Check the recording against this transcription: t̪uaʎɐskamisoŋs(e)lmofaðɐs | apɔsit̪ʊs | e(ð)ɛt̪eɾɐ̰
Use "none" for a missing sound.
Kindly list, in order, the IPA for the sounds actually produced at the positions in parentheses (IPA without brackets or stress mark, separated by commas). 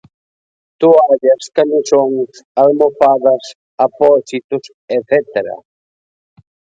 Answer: a, θ